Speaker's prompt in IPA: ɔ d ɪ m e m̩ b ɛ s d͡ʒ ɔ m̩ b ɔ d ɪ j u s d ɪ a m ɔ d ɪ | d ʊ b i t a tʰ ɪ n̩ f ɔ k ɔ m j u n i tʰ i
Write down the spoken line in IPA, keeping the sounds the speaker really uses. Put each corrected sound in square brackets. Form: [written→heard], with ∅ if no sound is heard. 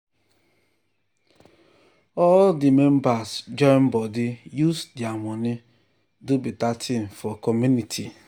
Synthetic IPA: ɔ d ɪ m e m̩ b [ɛ→a] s d͡ʒ ɔ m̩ b ɔ d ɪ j u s d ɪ a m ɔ [d→n] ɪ | d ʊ b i t a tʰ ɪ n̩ f ɔ k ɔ m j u n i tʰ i